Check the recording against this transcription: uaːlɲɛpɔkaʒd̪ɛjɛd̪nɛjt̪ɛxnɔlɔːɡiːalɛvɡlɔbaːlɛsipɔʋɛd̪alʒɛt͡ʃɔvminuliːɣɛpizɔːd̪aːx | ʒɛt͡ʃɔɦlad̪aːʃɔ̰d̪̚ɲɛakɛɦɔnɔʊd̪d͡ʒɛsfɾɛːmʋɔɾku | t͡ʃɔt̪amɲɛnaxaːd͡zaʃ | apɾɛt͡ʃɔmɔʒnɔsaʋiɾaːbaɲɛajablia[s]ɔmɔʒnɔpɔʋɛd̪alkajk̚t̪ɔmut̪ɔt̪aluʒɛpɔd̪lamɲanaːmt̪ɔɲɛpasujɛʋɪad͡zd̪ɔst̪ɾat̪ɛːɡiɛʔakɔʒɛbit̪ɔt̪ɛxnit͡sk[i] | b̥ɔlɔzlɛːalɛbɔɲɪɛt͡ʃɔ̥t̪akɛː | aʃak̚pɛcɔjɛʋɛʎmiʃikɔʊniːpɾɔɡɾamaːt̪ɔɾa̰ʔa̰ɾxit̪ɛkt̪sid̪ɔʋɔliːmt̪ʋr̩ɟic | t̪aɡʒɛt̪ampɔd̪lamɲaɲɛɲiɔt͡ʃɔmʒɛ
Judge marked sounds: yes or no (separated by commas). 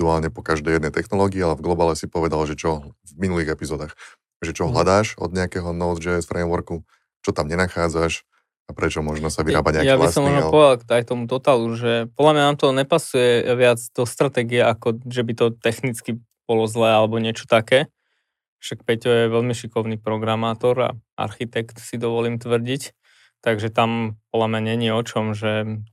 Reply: yes, yes